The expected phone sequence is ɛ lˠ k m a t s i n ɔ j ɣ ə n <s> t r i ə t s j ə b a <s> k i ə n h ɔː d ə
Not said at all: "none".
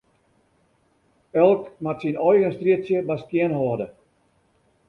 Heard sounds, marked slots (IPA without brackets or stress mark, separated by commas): s, s